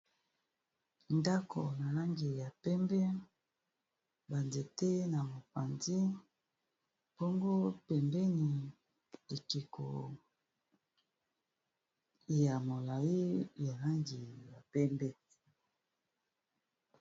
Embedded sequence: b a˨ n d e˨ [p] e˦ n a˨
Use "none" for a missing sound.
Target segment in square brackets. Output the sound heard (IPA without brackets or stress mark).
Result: t